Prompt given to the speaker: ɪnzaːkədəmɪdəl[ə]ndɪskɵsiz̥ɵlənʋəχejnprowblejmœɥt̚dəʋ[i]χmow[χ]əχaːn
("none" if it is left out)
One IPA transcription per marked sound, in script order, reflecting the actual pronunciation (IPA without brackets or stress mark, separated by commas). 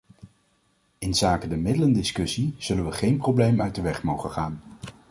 ə, ɛ, χ